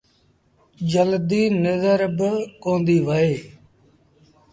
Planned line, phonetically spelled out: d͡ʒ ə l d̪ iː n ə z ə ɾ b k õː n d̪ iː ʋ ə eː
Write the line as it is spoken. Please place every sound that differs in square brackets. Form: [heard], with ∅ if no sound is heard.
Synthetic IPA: d͡ʒ ə l d̪ iː n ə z ə ɾ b k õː n d̪ iː ʋ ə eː